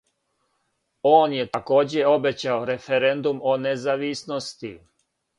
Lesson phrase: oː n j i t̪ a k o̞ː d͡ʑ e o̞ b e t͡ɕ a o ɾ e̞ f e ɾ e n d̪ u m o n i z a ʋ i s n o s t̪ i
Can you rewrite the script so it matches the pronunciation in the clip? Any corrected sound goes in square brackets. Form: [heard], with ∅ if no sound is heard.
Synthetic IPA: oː n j [e] t̪ a k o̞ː d͡ʑ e o̞ b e t͡ɕ a o ɾ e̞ f e ɾ e n d̪ u m o n [e] z a ʋ i s n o s t̪ i